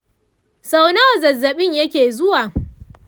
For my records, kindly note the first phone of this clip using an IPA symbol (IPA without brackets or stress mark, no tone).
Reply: s